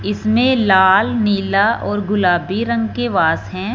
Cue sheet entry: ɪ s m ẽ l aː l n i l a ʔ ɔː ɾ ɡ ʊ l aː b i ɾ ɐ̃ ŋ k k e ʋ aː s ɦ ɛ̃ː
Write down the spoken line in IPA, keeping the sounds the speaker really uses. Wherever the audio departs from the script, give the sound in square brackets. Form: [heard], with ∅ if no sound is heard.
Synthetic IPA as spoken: ɪ s m ẽ l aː l n [iː] l a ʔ ɔː ɾ ɡ ʊ l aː b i ɾ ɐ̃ ŋ [ɡ] k e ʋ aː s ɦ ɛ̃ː